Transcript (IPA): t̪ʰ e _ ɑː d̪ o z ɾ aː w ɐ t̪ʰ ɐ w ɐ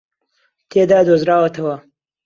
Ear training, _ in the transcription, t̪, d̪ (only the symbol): d̪